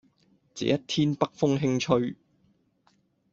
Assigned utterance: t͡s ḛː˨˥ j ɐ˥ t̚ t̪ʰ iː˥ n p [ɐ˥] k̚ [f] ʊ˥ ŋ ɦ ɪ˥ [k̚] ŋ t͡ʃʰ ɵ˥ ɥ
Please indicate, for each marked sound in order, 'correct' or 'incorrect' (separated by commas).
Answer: correct, correct, incorrect